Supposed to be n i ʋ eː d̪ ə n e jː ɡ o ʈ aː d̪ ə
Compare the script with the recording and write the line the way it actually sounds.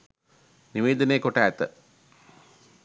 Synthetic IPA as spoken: n i ʋ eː d̪ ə n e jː k o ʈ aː t̪ ə